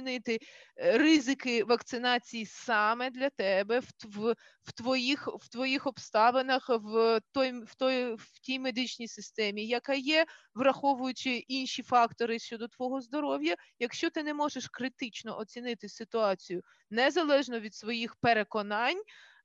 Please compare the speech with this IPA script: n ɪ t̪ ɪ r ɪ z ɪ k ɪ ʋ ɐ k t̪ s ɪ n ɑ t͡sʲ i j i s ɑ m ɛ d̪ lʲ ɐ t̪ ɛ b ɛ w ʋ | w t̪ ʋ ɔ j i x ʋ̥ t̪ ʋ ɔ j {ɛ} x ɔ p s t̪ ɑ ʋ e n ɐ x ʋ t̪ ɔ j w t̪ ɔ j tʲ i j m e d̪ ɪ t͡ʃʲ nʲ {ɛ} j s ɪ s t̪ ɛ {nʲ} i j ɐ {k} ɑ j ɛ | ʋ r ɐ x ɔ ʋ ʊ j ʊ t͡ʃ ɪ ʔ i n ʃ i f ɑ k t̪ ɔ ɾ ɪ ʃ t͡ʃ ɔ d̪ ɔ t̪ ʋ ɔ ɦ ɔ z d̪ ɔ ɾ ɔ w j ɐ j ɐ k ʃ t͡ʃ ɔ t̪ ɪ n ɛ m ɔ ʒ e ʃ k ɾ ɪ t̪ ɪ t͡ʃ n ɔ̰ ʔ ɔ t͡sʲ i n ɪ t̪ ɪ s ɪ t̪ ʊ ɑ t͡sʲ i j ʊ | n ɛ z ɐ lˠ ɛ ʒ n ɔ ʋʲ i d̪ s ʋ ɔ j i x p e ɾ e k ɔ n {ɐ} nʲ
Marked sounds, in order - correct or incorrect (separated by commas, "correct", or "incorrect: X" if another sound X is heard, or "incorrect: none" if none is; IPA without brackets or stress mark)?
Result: incorrect: i, incorrect: i, incorrect: mʲ, correct, incorrect: ɑ